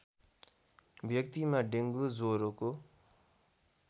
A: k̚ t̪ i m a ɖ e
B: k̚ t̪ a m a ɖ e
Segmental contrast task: A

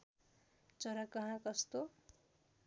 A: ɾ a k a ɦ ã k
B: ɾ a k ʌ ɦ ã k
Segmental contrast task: B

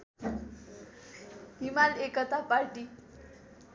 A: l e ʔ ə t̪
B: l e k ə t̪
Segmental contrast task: B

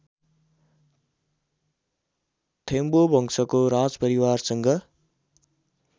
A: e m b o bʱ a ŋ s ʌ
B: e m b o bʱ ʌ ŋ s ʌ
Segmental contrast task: B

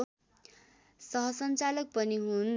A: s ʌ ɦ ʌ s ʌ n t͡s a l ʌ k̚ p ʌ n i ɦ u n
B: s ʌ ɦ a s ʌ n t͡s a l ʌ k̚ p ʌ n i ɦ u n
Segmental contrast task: A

